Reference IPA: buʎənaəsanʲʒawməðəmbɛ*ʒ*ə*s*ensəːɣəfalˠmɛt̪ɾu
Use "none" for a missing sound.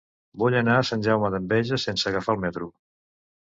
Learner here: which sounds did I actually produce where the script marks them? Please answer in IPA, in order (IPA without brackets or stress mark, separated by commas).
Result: ʒ, s